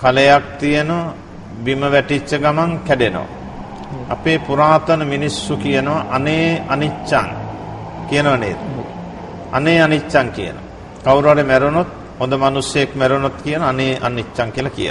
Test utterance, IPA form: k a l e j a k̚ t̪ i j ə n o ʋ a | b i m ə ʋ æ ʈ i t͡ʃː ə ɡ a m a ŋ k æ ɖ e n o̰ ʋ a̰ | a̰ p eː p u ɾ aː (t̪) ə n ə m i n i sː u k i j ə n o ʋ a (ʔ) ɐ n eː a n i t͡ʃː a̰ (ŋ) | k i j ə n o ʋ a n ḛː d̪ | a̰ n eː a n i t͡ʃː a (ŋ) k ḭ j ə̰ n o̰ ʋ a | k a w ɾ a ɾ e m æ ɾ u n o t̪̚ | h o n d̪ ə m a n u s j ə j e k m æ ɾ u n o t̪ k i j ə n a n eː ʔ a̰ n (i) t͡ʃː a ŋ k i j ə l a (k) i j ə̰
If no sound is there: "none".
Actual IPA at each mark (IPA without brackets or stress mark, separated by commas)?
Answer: t̪, ʔ, ŋ, ŋ, i, k